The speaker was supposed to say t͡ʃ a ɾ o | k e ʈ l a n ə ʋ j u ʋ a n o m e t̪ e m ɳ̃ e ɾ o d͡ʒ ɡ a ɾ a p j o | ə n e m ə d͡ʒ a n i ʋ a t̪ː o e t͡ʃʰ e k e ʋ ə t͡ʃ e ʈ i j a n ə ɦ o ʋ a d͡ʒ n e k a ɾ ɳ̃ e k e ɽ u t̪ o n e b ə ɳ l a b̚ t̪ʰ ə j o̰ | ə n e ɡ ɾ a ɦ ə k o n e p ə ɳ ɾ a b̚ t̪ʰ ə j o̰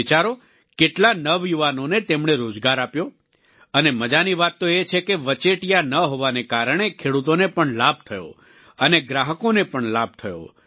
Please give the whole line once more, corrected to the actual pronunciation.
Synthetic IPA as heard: t͡ʃ a ɾ o | k e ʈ l a n ə ʋ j u ʋ a n o n e t̪ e m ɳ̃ e ɾ o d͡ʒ ɡ a ɾ a p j o | ə n e m ə d͡ʒ a n i ʋ a t̪ː o e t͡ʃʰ e k e ʋ ə t͡ʃ e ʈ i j a n ə ɦ o ʋ a n e k a ɾ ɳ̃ e kʰ e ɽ u t̪ o n e p ə ɳ l a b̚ t̪ʰ ə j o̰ | ə n e ɡ ɾ a ɦ ə k o n e p ə ɳ l a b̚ t̪ʰ ə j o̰